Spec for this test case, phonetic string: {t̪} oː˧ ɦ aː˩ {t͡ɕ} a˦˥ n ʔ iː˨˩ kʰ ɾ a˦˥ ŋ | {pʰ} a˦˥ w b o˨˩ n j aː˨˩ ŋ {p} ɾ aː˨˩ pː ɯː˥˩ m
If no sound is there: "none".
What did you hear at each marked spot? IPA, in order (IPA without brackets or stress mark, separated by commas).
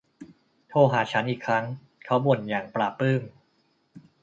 t̪ʰ, t͡ɕʰ, kʰ, p